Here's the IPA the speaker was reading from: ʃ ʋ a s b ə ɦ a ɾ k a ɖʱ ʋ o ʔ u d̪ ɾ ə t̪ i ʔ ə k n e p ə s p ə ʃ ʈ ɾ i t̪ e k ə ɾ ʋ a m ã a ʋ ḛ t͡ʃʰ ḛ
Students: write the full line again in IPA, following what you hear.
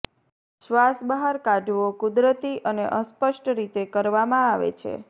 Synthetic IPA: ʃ ʋ a s b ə ɦ a ɾ k a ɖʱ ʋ o k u d̪ ɾ ə t̪ i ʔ ə n e ʔ ə s p ə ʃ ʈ ɾ i t̪ e k ə ɾ ʋ a m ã a ʋ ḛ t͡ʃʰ ḛ